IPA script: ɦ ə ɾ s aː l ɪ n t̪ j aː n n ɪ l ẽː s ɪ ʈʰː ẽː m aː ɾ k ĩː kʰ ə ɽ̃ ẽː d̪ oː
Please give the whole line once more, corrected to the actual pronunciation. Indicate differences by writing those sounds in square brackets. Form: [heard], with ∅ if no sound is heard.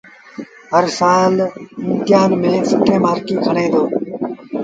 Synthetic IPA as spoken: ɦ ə ɾ s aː l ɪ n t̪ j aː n [m] ɪ l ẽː s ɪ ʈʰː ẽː m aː ɾ k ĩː kʰ ə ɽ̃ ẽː d̪ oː